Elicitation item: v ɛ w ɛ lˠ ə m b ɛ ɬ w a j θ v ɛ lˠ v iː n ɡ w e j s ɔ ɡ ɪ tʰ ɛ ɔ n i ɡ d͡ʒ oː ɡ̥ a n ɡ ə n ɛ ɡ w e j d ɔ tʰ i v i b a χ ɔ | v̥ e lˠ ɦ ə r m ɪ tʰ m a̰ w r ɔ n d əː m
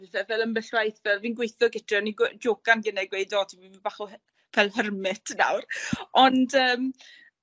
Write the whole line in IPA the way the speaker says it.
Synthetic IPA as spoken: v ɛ v ɛ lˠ ə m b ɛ ɬ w a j θ v ɛ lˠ v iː n ɡ w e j θ ɔ ɡ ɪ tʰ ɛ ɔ n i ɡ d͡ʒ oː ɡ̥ a n ɡ ə n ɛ ɡ w e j d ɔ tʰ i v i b a χ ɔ | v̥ ɛ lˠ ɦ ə r m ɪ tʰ n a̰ w r ɔ n d əː m